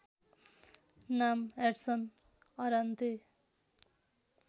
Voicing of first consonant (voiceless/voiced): voiced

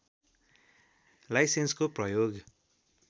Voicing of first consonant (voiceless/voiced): voiced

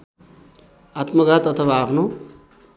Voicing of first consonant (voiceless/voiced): voiceless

